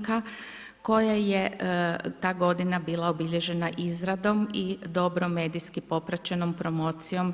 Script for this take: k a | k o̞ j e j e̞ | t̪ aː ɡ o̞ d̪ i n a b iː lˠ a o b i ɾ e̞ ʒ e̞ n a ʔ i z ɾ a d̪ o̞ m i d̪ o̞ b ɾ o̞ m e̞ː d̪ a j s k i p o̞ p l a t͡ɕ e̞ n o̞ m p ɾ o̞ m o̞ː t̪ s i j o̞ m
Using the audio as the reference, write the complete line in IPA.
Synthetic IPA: k a | k o̞ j a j e̞ | t̪ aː ɡ o̞ d̪ i n a b iː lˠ a o b i ʎ e̞ ʒ e̞ n a ʔ i z ɾ a d̪ o̞ m i d̪ o̞ b ɾ o̞ m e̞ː d̪ i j s k i p o̞ p ɾ a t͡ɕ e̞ n o̞ m p ɾ o̞ m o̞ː t̪ s i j o̞ m

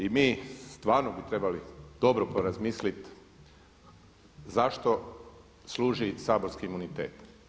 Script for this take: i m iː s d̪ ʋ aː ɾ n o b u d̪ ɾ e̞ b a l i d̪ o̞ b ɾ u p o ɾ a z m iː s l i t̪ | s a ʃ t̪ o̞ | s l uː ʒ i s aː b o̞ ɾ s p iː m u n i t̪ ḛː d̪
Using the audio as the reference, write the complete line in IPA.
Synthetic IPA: i m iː s t̪ ʋ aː ɾ n o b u t̪ ɾ e̞ b a l i d̪ o̞ b ɾ o p o ɾ a z m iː s l i t̪ | z a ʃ t̪ o̞ | s l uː ʒ i s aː b o̞ ɾ s k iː m u n i t̪ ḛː t̪

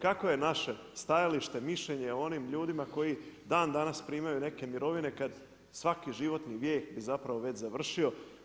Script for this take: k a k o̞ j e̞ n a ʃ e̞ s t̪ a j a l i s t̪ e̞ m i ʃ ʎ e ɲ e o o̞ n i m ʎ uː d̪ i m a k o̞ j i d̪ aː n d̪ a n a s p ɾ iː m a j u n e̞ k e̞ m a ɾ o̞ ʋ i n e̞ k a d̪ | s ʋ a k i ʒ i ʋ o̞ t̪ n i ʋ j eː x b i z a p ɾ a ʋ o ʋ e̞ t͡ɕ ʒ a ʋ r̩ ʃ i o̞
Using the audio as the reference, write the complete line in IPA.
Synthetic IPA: k a k o̞ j e̞ n a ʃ e̞ s t̪ a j a l i ʃ t̪ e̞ m i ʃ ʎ e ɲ e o o̞ n i m ʎ uː d̪ i m a k o̞ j i d̪ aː n d̪ a n a s p ɾ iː m a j u n e̞ k e̞ m i ɾ o̞ ʋ i n e̞ k a d̪ | s ʋ a k i ʒ i ʋ o̞ t̪ n i ʋ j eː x b i z a p ɾ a ʋ o ʋ e̞ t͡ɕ z a ʋ r̩ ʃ i o̞

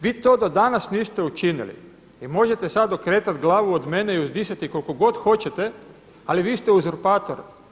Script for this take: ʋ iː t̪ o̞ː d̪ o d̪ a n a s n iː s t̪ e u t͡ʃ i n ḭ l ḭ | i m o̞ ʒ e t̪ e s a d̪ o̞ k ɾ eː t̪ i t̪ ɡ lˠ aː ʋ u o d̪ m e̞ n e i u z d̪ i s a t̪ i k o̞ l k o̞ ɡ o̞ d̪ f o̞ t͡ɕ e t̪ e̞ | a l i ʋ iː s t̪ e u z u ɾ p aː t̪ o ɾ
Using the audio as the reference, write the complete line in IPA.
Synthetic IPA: ʋ iː t̪ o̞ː d̪ o d̪ a n a s n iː s t̪ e u t͡ʃ i n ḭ l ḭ | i m o̞ ʒ e t̪ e s a d̪ o̞ k ɾ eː t̪ a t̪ ɡ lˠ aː ʋ u o d̪ m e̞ n e i u z d̪ i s a t̪ i k o̞ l k o̞ ɡ o̞ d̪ x o̞ t͡ɕ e t̪ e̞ | a l i ʋ iː s t̪ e u z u ɾ p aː t̪ o ɾ

